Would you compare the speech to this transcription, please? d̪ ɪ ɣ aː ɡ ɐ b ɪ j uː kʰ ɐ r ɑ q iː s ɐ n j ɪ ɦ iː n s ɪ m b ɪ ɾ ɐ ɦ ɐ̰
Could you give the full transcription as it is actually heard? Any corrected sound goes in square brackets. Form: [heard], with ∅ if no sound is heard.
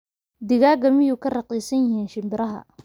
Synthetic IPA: d̪ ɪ ɣ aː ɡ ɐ [m] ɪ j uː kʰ ɐ r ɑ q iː s ɐ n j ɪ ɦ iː n [ʃ] ɪ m b ɪ ɾ ɐ ɦ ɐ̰